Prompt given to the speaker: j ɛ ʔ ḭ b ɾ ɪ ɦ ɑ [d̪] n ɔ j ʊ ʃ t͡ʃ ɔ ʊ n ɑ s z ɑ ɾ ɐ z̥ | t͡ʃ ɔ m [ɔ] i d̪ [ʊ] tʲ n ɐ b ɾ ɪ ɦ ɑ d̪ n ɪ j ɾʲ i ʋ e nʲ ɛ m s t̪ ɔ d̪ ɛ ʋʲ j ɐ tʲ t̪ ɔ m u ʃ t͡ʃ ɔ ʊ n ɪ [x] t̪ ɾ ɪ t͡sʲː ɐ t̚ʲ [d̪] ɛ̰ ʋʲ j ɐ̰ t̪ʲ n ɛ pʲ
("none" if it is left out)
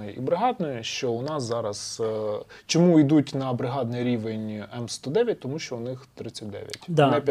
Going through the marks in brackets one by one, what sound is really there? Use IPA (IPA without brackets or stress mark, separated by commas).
d̪, u, u, x, d̪